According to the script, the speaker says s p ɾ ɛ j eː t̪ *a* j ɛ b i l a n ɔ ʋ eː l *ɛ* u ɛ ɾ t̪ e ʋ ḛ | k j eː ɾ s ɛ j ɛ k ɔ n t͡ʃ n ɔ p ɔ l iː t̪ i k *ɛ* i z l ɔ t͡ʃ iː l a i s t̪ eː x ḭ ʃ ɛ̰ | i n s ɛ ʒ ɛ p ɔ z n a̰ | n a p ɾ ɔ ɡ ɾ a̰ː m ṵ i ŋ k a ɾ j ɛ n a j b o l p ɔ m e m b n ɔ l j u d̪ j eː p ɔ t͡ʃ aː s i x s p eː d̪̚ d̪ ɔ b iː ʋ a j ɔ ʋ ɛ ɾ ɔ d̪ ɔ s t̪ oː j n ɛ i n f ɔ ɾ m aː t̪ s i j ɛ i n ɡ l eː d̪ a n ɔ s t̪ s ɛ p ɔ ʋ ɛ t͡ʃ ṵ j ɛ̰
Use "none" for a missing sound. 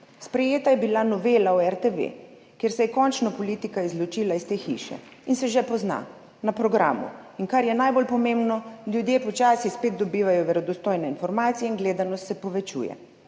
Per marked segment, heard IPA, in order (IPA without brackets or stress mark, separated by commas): a, a, a